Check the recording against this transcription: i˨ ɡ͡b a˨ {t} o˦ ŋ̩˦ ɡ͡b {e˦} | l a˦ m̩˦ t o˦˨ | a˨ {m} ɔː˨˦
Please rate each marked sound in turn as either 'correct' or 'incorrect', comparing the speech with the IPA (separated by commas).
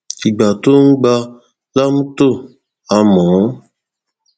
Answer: correct, incorrect, correct